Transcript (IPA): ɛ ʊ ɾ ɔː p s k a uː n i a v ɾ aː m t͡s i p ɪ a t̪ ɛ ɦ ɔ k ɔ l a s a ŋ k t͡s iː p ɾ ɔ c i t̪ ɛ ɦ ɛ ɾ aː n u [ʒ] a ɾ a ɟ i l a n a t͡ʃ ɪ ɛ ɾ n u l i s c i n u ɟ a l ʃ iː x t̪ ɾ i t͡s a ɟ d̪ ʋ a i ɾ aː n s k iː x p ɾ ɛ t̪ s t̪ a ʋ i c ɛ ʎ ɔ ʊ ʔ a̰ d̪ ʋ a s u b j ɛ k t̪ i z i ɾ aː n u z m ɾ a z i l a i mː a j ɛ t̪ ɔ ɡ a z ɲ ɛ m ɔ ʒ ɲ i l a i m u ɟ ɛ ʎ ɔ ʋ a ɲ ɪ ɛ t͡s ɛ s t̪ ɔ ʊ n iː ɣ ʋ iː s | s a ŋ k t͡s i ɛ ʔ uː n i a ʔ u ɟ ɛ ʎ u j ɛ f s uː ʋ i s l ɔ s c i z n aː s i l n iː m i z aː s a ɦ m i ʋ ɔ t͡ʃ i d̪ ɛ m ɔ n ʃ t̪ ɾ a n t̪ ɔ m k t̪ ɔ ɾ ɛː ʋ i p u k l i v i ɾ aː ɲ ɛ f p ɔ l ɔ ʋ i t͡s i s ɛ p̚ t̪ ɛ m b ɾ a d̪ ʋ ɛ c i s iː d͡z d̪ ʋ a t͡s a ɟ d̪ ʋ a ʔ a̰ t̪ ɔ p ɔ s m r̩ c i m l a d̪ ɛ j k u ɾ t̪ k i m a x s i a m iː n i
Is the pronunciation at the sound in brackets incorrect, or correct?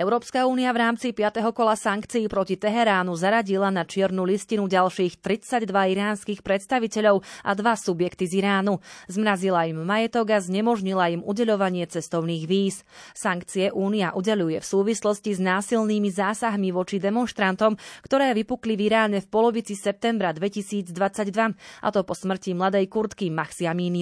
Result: incorrect